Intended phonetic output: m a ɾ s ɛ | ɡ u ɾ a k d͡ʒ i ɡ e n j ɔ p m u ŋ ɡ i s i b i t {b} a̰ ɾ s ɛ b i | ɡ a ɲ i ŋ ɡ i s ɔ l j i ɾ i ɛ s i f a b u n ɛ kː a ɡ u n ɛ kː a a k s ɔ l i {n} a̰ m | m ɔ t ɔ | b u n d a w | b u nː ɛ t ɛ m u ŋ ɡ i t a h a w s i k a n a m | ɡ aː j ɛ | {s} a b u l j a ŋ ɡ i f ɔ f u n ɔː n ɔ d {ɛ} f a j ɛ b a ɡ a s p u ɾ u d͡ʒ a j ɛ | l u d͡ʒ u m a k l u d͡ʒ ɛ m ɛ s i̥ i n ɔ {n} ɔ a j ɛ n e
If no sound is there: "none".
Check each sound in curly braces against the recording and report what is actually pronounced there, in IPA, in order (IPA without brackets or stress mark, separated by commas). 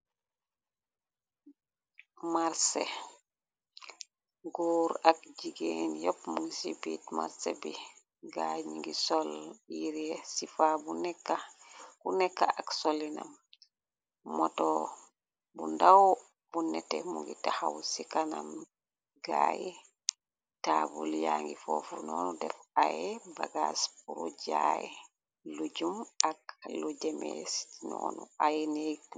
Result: m, n, t, ɛ, n